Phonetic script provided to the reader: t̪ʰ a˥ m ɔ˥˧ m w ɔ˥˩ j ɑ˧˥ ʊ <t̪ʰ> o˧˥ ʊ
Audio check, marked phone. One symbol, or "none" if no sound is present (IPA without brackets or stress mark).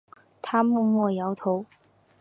t̪ʰ